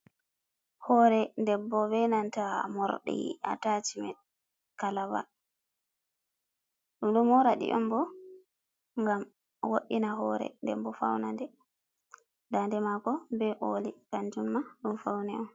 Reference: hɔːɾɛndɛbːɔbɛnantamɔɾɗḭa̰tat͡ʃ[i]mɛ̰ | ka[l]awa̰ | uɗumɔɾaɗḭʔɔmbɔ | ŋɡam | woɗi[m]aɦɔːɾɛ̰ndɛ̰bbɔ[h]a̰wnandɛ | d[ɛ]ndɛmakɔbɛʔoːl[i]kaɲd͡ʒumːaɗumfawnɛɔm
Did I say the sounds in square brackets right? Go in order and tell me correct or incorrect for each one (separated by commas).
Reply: correct, correct, incorrect, incorrect, incorrect, correct